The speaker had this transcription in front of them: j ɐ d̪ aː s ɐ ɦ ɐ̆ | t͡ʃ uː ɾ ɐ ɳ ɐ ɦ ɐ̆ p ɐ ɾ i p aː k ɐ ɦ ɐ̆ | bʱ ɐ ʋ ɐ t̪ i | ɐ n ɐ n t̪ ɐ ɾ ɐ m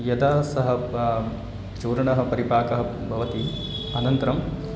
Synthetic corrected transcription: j ɐ d̪ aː s ɐ ɦ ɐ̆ | t͡ʃ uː ɾ ɐ ɳ ɐ ɦ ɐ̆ p ɐ ɾ i p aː k ɐ ɦ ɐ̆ | bʱ ɐ ʋ ɐ t̪ i | ɐ n ɐ n t̪ ɐ ɾ ɐ m